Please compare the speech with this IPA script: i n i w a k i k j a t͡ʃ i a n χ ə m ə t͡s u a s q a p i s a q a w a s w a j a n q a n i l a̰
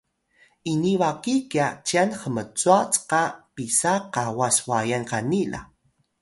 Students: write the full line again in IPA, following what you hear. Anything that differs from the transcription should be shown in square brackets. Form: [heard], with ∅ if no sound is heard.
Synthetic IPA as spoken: i n i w a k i k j a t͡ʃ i a n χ ə m ə t͡s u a [t͡s] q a p i s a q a w a s w a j a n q a n i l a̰